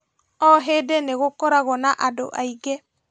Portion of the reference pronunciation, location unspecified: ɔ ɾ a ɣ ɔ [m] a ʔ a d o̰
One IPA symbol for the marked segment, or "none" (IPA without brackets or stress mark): n